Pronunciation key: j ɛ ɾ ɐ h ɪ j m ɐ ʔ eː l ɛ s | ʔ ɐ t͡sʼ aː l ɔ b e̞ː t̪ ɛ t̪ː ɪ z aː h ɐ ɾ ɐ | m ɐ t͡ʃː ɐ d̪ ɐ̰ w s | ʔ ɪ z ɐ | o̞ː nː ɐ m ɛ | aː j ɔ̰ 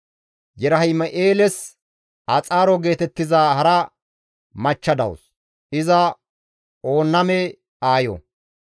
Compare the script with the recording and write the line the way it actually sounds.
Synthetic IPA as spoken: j ɛ ɾ ɐ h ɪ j m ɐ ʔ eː l ɛ s | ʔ ɐ t͡sʼ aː ɾ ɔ ɡ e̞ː t̪ ɛ t̪ː ɪ z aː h ɐ ɾ ɐ | m ɐ t͡ʃː ɐ d̪ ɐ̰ w s | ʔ ɪ z ɐ | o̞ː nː ɐ m ɛ | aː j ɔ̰